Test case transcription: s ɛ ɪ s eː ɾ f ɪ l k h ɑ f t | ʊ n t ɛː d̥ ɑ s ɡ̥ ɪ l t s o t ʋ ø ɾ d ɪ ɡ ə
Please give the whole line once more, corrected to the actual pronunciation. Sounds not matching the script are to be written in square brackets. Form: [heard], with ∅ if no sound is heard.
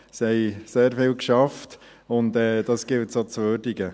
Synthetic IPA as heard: s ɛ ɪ s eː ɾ f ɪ l k [ʃ] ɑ f t | ʊ n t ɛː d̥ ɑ s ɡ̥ ɪ l t s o [t͡s] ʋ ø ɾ d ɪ ɡ ə